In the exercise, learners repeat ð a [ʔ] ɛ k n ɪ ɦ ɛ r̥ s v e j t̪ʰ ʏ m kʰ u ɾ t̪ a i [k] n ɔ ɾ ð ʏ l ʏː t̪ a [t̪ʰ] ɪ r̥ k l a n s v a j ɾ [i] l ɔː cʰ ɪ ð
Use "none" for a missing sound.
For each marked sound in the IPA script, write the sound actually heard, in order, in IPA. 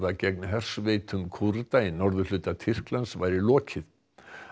c, none, t̪ʰ, ɪ

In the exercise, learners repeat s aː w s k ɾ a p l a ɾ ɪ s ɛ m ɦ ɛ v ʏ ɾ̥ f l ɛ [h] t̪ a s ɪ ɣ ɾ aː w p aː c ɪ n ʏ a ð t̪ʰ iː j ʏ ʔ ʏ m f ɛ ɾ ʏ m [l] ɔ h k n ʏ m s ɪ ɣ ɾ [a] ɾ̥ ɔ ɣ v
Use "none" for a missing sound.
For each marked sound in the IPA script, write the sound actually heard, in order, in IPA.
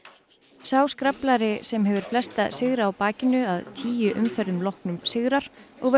s, l, a

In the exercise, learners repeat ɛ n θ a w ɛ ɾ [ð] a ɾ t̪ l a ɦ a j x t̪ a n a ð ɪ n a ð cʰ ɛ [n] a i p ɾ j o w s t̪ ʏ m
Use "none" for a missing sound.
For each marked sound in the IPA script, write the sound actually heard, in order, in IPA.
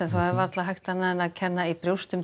v, nː

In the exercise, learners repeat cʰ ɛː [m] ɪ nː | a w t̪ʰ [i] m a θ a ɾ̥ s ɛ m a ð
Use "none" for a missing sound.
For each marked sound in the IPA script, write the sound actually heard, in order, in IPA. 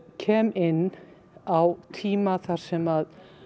m, iː

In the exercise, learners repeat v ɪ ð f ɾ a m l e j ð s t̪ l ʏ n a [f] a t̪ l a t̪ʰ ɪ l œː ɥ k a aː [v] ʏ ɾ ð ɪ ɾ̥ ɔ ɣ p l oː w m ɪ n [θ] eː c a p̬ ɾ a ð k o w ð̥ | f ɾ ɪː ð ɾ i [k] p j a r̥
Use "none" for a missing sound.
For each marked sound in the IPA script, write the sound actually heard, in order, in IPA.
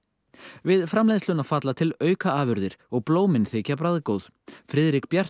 f, v, θ, k

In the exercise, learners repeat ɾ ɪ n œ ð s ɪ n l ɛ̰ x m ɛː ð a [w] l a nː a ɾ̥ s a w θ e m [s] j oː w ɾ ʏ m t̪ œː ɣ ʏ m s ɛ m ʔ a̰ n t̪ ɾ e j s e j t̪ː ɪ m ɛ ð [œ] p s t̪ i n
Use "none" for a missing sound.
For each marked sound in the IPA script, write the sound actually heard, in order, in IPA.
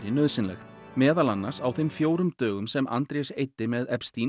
none, f, ɛ

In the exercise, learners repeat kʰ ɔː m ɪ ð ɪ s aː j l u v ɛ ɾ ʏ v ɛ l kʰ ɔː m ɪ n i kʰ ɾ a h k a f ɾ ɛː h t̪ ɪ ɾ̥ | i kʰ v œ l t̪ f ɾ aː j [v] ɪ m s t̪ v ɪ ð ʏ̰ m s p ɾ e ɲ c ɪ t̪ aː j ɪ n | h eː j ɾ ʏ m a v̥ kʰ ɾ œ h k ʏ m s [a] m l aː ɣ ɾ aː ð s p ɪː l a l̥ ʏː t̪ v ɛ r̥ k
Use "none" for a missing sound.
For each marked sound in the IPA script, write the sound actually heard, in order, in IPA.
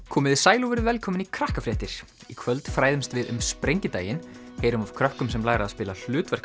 ð, ɛ

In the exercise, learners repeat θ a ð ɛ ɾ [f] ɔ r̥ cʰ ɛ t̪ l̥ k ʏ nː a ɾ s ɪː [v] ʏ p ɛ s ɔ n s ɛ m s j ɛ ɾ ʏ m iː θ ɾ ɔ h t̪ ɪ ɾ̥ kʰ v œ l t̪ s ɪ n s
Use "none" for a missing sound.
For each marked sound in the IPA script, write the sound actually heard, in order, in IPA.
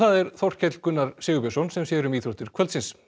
θ, ɣ

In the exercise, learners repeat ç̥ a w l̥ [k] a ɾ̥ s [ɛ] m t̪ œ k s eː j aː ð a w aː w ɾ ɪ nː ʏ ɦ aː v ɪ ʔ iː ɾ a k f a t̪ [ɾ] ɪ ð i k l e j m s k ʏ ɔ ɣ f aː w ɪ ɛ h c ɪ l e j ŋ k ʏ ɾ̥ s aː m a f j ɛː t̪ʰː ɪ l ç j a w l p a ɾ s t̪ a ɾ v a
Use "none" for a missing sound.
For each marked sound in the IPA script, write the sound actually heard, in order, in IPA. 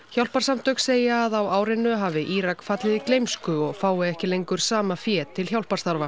p, a, l

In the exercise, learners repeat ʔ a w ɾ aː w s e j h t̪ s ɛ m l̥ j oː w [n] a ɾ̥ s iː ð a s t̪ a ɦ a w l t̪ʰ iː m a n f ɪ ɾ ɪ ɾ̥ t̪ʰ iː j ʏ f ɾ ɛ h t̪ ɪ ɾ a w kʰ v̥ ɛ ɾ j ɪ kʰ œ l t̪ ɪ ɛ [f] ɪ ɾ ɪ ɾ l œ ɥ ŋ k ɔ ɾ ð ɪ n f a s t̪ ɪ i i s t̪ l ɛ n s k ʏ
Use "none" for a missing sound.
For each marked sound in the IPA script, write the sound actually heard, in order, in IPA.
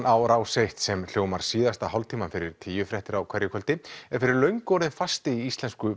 m, f

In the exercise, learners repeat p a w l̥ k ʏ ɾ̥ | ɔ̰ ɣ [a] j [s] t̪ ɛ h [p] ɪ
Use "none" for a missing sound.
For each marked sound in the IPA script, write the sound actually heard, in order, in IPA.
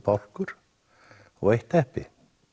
e, h, p

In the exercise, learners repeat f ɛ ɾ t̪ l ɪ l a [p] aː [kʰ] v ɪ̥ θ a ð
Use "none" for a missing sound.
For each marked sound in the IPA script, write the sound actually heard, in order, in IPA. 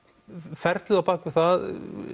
p, k

